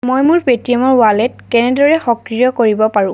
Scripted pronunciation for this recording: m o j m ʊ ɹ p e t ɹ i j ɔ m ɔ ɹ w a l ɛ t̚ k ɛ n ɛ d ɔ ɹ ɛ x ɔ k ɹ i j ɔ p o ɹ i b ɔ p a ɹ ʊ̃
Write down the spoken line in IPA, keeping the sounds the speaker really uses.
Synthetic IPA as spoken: m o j m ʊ ɹ p e t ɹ i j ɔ m ɔ ɹ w a l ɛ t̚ k ɛ n ɛ d ɔ ɹ ɛ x ɔ k ɹ i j ɔ k o ɹ i b ɔ p a ɹ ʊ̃